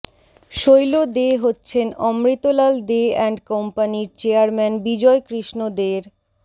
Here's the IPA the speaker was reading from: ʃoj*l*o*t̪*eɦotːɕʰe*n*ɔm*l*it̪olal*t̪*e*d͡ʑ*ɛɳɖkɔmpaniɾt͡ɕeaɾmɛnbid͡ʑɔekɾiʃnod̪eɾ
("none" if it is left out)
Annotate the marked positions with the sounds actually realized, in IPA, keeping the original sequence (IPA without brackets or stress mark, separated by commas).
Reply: l, d̪, n, ɾ, d̪, none